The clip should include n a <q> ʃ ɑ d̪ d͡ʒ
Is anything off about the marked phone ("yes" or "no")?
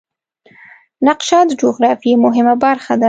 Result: no